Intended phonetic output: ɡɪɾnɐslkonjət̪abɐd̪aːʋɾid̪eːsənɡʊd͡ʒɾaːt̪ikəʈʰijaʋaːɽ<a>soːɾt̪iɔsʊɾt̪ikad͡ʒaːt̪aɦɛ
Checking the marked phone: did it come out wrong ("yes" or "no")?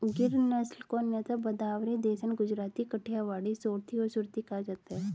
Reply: yes